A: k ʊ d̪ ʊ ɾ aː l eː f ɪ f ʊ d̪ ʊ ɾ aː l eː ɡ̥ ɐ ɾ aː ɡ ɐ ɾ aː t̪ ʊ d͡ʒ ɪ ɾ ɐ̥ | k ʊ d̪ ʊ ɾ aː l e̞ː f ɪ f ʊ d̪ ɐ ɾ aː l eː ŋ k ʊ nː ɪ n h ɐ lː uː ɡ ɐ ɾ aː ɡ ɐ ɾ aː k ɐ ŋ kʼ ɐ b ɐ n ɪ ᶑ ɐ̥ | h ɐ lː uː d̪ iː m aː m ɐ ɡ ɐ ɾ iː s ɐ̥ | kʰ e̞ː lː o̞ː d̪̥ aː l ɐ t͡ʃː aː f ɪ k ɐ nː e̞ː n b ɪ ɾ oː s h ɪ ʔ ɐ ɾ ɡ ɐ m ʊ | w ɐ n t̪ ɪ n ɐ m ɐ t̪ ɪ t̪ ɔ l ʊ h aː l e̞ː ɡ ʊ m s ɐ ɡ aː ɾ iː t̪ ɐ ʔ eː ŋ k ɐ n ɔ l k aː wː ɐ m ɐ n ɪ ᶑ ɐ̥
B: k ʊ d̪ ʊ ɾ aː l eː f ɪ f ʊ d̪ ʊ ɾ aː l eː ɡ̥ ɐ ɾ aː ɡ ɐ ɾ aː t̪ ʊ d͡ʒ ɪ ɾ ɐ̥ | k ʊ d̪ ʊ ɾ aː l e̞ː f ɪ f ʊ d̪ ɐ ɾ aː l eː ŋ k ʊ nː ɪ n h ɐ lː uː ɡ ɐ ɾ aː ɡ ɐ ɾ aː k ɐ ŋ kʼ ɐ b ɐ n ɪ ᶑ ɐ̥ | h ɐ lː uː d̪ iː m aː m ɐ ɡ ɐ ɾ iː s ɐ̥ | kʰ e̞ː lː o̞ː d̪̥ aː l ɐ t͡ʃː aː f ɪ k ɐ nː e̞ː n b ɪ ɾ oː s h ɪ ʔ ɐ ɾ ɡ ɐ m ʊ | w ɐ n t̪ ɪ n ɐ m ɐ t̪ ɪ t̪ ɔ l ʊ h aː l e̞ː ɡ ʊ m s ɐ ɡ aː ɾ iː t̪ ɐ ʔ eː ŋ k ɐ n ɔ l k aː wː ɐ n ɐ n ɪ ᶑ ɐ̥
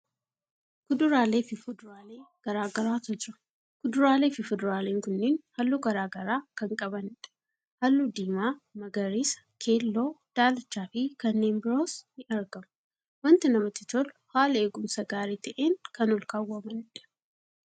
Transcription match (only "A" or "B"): A